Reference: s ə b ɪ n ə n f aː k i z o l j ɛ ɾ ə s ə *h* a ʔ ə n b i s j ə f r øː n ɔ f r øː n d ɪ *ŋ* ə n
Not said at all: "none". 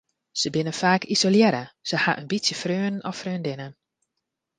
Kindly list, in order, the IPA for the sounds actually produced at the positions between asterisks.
h, n

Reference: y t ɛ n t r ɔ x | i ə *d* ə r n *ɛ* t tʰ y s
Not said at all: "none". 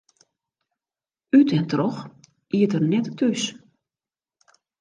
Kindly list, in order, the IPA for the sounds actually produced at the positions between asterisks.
t, ɛ

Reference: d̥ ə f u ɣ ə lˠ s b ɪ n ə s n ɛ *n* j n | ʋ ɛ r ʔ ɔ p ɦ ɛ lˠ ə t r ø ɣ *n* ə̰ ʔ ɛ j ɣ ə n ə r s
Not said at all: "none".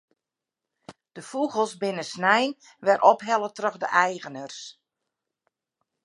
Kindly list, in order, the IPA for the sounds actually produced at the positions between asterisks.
none, d

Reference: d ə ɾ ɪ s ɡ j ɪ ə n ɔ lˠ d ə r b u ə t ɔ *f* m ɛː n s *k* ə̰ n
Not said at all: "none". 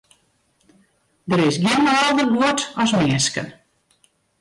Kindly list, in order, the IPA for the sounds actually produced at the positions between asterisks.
s, k

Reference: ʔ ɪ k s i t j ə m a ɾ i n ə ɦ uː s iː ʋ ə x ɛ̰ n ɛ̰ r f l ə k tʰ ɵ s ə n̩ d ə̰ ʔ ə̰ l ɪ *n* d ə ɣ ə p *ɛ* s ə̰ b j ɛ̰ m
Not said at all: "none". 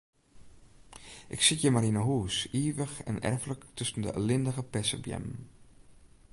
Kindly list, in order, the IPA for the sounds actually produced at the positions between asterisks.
n, ɛ

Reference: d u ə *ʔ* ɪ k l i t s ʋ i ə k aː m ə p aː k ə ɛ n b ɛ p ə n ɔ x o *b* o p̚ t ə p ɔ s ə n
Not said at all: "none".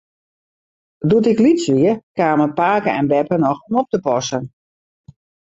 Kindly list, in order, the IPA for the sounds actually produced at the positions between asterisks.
t, m

